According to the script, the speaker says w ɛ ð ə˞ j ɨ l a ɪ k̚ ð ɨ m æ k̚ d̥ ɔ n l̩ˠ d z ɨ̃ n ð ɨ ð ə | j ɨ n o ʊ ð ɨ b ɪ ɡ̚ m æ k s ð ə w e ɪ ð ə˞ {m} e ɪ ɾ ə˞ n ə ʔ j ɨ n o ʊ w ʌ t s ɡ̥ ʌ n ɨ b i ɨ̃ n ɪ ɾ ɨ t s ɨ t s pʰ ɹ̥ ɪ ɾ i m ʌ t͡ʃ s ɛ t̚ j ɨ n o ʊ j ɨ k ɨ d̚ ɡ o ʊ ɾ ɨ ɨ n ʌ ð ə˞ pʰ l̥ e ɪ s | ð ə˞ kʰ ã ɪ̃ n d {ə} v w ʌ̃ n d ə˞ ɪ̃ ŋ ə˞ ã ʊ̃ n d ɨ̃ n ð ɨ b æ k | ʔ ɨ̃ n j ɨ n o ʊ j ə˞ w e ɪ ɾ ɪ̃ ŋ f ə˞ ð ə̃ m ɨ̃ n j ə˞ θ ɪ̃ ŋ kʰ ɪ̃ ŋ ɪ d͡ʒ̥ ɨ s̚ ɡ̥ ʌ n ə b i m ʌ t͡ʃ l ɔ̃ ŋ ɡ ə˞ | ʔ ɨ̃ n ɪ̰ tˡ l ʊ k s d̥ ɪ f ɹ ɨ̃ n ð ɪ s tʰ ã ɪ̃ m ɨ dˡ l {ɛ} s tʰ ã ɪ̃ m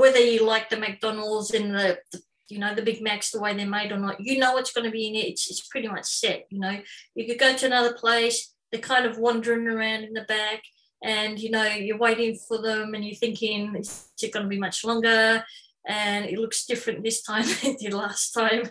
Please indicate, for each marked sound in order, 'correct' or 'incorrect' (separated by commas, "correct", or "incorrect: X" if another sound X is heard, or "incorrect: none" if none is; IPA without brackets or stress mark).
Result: correct, incorrect: ʌ, incorrect: æ